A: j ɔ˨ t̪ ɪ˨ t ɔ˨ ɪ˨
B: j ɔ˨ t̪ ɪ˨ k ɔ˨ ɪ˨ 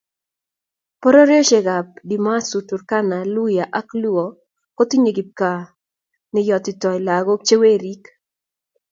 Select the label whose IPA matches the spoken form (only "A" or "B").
A